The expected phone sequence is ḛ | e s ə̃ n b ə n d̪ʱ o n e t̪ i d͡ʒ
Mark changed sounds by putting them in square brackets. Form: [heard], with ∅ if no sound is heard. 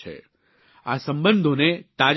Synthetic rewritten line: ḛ | [a] s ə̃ [m] b ə n d̪ʱ o n e t̪ [a] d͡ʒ